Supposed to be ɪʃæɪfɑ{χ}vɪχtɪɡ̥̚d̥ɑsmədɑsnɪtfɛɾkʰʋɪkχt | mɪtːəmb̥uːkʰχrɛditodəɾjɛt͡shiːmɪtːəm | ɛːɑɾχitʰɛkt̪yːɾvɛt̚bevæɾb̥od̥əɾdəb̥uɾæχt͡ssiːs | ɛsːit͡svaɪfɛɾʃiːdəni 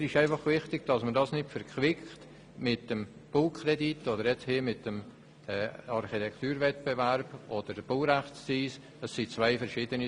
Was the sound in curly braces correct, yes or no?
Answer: yes